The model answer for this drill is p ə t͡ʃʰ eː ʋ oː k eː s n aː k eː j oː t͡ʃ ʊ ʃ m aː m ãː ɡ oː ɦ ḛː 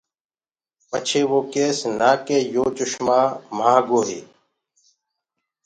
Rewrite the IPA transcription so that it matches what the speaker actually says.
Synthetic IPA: p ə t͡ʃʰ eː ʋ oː k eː s n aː k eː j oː t͡ʃ ʊ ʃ m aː m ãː ɡ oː ɦ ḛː

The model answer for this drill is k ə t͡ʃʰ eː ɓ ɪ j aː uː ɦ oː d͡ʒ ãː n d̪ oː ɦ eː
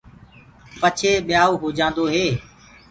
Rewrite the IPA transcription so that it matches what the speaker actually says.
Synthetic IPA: p ə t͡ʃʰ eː ɓ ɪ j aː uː ɦ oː d͡ʒ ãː n d̪ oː ɦ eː

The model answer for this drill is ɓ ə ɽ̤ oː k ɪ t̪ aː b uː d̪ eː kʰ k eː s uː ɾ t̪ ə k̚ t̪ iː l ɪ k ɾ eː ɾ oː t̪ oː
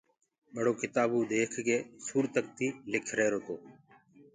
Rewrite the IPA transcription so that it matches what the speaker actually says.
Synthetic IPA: ɓ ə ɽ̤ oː k ɪ t̪ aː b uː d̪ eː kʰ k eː s uː ɾ t̪ ə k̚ t̪ iː l ɪ kʰ ɾ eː ɾ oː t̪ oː

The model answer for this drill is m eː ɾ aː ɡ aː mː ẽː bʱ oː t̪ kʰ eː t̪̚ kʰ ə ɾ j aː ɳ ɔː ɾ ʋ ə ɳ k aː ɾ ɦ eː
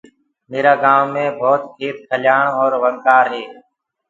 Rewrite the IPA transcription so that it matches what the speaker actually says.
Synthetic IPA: m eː ɾ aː ɡ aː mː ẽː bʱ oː t̪ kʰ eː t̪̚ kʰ ə l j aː ɳ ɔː ɾ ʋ ə ŋ k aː ɾ ɦ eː

